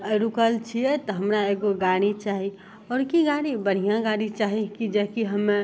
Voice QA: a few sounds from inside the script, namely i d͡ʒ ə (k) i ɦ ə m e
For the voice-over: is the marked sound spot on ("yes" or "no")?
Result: yes